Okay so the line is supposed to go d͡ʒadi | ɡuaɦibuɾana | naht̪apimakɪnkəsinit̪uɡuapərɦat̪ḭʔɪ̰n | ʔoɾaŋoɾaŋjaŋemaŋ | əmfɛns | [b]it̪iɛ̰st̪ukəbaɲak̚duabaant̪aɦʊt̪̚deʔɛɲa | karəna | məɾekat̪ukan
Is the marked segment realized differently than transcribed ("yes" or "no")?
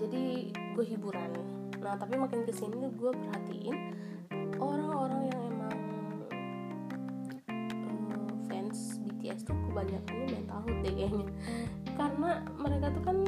no